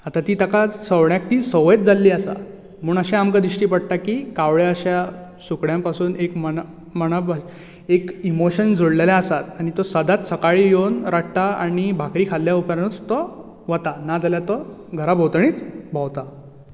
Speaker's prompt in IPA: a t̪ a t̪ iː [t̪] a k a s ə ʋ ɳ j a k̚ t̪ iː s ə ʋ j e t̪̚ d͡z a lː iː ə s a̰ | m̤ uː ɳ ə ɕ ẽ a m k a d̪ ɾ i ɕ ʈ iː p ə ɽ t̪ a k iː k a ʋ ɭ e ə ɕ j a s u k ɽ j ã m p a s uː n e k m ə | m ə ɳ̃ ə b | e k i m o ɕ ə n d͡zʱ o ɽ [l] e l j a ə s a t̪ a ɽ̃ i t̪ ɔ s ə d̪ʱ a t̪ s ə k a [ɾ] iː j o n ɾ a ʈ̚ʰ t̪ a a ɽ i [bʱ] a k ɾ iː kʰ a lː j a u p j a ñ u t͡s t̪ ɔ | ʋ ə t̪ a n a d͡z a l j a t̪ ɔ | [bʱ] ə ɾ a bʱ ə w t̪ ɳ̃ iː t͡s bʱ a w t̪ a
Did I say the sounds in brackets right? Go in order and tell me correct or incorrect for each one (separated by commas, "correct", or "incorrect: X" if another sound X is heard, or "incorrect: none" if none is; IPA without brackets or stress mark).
correct, correct, incorrect: ɭ, correct, incorrect: ɡʱ